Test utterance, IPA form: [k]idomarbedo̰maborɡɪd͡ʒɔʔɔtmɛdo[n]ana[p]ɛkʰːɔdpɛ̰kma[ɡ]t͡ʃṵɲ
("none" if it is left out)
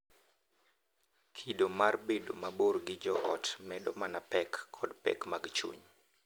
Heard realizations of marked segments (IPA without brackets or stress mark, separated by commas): kʰ, m, p, ɡ